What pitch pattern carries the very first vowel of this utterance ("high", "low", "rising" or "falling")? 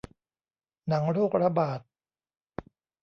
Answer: rising